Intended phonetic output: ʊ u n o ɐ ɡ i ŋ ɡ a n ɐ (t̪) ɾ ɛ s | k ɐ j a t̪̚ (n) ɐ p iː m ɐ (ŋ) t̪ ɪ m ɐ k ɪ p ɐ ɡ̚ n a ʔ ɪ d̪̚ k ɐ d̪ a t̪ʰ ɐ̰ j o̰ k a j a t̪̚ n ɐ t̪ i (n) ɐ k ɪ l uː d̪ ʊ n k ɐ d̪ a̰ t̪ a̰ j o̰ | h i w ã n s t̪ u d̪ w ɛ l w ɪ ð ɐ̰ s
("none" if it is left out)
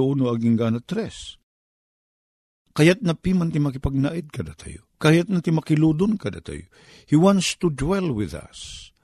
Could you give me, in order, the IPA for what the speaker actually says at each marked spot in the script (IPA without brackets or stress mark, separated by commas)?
t̪, n, n, m